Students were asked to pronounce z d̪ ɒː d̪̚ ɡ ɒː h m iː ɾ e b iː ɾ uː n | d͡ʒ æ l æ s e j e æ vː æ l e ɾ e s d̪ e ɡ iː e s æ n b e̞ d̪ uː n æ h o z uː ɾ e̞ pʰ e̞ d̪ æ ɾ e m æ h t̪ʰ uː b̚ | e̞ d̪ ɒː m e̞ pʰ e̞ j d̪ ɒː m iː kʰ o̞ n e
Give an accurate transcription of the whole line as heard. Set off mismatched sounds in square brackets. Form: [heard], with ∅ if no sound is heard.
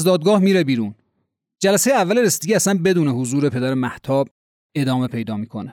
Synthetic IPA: z d̪ ɒː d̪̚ ɡ ɒː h m iː ɾ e b iː ɾ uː n | d͡ʒ æ l æ s e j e æ vː æ l e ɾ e s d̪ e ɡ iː [æ] s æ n b e̞ d̪ uː n [e] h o z uː ɾ e̞ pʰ e̞ d̪ æ ɾ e m æ h t̪ʰ [ɒː] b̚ | e̞ d̪ ɒː m e̞ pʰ e̞ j d̪ ɒː m iː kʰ o̞ n e